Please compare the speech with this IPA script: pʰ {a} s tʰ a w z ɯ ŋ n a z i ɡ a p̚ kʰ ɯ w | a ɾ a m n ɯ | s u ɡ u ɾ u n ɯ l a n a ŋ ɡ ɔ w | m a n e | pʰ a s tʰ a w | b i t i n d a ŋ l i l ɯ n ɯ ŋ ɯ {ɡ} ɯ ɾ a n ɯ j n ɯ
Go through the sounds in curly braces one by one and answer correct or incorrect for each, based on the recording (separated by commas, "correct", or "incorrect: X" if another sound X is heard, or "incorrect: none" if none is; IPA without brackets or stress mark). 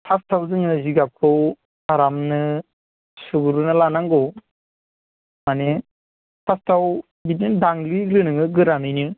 correct, correct